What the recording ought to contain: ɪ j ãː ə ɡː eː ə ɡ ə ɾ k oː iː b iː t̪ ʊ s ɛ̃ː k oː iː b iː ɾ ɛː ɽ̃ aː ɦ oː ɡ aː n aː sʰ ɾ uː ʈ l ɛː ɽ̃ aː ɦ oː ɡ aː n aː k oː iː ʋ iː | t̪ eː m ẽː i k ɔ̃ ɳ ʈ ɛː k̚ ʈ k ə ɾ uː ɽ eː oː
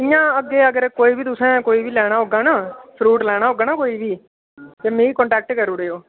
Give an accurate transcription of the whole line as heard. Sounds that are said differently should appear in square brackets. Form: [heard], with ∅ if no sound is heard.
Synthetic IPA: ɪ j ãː ə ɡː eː ə ɡ ə ɾ k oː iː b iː t̪ ʊ s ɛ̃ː k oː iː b iː [l] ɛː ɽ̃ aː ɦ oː ɡ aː n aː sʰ ɾ uː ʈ l ɛː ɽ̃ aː ɦ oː ɡ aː n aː k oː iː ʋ iː | t̪ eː m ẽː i k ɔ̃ ɳ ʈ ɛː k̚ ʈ k ə ɾ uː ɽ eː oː